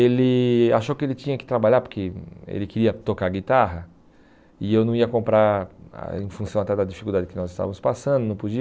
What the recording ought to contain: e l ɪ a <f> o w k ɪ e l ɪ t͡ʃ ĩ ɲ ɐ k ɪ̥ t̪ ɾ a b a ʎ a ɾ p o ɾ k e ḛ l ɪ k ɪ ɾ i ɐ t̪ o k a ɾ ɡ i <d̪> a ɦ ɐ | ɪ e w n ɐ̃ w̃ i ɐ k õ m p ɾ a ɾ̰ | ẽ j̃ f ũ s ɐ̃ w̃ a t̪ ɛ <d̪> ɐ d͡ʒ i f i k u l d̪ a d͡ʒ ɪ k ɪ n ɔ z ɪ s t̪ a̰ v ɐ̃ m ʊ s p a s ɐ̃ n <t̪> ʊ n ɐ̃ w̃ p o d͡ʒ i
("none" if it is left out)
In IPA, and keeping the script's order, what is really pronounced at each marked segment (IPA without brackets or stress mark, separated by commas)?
ʃ, t̪, d̪, d̪